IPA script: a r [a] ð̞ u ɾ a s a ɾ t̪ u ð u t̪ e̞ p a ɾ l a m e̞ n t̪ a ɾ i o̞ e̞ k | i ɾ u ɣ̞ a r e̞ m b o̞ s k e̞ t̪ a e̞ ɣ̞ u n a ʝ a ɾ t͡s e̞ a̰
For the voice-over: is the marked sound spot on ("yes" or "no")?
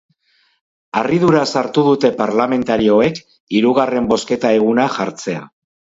no